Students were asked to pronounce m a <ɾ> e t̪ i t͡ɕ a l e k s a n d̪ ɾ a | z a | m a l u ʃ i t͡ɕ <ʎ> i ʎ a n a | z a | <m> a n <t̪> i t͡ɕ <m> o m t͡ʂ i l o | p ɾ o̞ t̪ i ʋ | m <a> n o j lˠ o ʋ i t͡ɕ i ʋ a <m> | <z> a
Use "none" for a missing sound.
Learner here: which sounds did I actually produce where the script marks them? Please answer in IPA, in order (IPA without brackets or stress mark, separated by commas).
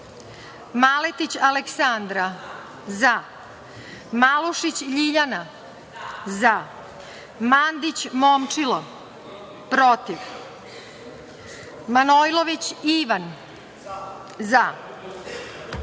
l, ʎ, m, d̪, m, a, n, z